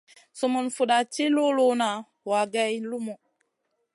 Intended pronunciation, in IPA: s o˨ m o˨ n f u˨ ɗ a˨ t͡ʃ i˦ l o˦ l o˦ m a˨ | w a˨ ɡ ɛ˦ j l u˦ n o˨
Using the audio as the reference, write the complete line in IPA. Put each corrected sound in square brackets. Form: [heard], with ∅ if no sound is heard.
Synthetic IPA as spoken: s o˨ m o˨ n f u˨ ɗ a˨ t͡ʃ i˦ l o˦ l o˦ [n] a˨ | w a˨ ɡ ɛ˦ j l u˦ [m] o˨